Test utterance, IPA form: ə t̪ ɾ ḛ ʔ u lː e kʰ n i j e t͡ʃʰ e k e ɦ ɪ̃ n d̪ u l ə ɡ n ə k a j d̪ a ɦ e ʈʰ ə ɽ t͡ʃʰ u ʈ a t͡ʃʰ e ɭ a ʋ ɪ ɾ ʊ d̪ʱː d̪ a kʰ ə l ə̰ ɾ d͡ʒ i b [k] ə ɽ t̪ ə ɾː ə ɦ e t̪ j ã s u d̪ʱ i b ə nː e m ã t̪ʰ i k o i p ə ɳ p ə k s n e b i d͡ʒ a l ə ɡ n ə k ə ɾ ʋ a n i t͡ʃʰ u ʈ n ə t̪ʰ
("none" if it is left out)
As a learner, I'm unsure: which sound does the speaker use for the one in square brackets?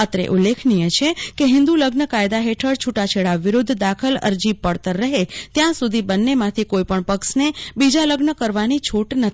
p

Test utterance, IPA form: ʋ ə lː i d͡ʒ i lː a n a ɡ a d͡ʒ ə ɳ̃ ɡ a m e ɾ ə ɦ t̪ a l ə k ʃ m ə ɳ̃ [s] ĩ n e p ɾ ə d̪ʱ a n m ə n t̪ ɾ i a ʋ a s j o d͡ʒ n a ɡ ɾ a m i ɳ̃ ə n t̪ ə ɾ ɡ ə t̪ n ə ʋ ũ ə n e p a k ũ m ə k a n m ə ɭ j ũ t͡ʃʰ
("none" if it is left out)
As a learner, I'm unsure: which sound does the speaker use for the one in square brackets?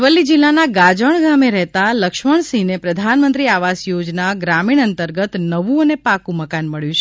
s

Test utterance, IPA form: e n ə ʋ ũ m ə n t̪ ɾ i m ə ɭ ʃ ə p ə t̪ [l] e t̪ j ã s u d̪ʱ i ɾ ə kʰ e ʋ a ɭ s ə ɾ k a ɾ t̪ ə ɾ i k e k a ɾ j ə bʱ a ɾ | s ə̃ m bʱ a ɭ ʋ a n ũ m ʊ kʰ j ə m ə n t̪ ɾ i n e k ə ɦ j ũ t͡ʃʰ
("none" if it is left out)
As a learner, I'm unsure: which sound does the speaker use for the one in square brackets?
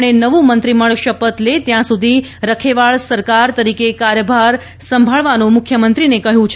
l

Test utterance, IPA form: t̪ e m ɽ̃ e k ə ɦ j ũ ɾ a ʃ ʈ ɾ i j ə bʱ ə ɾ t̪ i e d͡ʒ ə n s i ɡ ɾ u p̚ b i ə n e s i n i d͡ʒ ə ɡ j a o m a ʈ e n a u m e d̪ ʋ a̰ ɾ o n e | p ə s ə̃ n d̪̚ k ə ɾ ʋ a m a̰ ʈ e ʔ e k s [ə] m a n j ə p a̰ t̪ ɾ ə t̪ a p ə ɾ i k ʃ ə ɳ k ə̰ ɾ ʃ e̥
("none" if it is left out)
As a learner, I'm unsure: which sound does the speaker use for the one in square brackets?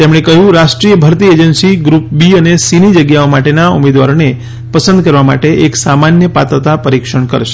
a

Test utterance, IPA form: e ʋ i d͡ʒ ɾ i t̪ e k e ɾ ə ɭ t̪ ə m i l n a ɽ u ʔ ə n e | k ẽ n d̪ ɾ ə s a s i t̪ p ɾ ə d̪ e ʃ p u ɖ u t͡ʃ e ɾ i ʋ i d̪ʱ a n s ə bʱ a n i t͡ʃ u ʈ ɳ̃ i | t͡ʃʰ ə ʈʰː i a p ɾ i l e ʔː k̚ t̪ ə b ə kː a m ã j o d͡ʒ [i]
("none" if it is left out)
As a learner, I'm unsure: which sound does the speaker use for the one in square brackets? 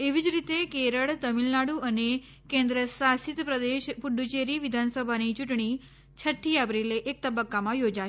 a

